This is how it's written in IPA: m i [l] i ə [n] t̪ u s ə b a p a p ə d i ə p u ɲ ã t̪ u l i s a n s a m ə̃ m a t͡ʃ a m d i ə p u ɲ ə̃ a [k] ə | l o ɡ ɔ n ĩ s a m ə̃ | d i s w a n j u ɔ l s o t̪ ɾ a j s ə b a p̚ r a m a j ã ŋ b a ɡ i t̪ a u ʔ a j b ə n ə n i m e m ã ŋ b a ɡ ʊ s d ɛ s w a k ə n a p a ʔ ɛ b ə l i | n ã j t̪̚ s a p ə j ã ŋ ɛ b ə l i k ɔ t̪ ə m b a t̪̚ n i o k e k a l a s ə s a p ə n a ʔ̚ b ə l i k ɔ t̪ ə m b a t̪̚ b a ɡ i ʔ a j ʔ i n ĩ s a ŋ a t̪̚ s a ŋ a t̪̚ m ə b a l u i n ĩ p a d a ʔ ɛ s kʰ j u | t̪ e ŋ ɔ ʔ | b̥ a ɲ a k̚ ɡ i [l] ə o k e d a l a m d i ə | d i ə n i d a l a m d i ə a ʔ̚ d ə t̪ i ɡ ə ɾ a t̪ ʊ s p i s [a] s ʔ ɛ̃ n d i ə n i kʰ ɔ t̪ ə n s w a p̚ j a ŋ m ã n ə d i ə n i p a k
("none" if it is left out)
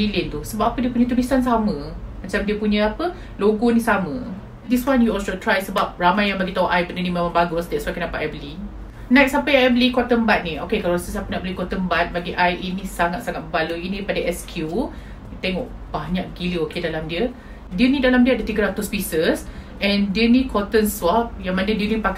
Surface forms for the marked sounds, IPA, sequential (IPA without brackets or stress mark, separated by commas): l, n, p, l, ə